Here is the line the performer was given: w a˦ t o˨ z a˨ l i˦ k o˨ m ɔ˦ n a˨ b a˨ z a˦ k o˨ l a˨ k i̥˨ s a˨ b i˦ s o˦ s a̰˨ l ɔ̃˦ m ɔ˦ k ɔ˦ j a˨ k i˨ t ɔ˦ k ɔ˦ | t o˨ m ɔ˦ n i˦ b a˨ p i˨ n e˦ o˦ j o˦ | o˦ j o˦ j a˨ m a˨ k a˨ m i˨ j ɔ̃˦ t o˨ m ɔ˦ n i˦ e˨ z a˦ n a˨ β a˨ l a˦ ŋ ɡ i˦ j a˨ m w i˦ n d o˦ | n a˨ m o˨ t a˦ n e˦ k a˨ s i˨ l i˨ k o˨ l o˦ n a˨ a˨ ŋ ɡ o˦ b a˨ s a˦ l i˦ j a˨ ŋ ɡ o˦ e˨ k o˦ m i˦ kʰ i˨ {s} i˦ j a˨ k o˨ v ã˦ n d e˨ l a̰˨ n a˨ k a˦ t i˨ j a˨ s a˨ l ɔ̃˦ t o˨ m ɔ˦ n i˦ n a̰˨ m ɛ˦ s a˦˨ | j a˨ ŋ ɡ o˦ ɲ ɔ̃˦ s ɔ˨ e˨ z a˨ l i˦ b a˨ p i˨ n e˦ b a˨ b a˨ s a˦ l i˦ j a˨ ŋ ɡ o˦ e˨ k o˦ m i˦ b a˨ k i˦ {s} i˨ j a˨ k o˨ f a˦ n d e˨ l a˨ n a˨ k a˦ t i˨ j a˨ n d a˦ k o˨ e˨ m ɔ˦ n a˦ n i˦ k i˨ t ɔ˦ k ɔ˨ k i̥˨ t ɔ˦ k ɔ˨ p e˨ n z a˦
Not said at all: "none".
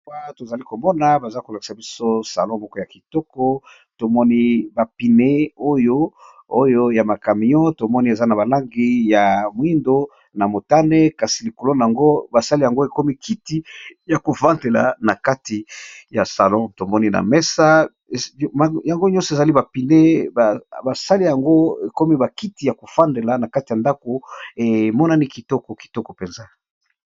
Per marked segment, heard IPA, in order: t, t

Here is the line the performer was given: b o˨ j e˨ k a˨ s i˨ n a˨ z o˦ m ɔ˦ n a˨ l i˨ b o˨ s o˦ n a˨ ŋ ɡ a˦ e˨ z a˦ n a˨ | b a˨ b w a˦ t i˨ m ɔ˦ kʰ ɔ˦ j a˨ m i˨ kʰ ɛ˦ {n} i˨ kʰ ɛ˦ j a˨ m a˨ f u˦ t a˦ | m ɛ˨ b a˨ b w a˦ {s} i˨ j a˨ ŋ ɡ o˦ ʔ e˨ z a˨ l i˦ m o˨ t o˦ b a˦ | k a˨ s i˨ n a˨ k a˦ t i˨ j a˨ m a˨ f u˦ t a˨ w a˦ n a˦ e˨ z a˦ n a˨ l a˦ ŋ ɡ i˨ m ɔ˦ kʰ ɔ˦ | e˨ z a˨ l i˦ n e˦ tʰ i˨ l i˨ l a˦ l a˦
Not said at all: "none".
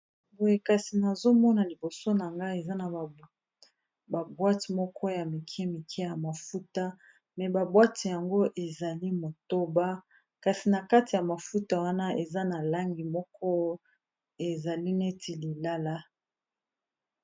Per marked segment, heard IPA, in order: m, t

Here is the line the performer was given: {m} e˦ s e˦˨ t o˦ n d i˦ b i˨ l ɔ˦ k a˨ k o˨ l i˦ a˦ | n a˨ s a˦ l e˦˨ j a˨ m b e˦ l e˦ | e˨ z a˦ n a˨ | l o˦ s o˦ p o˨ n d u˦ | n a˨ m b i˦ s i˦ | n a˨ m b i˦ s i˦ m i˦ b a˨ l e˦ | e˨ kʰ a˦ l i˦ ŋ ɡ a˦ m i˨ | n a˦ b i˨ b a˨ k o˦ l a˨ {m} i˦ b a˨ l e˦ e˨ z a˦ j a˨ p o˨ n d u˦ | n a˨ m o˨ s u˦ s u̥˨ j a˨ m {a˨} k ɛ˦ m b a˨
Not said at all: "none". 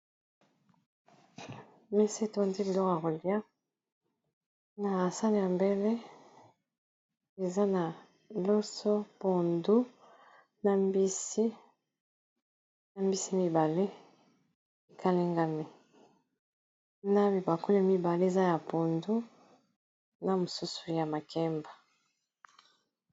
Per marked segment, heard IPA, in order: m, m, a˨

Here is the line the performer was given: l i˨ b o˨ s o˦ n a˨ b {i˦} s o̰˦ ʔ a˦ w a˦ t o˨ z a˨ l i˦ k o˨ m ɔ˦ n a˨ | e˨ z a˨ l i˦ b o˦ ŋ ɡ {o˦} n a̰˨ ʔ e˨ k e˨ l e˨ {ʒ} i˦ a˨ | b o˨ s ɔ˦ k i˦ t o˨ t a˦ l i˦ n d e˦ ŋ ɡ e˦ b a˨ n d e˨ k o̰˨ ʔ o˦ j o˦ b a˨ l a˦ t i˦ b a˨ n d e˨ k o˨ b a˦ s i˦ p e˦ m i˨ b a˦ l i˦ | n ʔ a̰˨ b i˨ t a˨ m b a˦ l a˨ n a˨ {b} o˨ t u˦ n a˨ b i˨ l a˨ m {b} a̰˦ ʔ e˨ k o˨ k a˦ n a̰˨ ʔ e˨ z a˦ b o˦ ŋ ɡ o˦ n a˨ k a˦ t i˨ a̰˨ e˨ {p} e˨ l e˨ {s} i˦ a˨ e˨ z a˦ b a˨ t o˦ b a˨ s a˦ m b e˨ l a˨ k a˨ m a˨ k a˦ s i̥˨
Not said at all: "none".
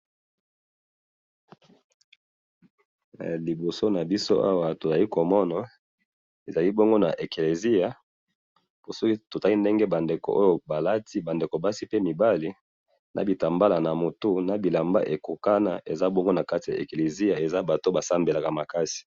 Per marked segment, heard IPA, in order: i˦, o˦, z, m, b, k, z

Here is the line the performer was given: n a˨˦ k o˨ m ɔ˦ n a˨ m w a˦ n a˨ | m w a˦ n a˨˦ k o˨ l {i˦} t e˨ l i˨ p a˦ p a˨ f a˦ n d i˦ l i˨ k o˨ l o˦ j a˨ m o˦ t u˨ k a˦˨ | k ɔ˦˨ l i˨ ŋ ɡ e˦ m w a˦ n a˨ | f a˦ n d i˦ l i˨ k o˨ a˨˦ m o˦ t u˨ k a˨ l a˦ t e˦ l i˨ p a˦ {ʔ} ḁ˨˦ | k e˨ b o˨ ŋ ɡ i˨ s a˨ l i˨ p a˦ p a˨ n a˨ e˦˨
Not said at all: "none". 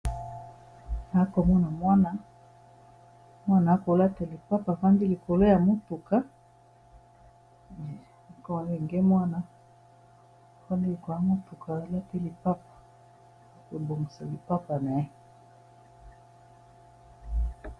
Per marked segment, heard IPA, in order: a˦, p

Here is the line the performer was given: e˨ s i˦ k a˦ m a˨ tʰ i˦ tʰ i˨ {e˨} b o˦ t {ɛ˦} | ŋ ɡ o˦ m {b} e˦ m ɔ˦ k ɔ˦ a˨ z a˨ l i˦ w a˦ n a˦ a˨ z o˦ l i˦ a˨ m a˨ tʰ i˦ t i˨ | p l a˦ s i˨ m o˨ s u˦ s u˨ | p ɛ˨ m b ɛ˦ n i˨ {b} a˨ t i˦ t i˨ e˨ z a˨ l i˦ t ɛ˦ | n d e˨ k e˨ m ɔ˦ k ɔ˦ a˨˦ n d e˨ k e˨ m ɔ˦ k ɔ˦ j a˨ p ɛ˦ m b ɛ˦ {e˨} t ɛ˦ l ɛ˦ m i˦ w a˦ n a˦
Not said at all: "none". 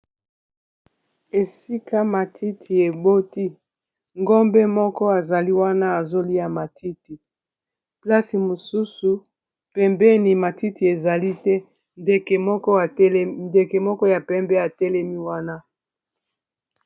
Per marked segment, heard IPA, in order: e˨, i˦, b, m, a˨

